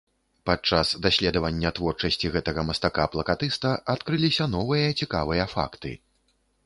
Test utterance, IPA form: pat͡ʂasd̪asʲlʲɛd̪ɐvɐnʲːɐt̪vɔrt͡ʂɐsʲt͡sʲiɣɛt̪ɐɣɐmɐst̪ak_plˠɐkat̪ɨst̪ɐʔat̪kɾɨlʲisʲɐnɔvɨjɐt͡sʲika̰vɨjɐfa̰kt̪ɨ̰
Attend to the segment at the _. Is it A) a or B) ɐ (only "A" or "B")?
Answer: A